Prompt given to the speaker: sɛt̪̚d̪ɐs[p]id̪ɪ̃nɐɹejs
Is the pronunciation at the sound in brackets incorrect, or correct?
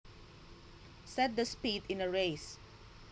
correct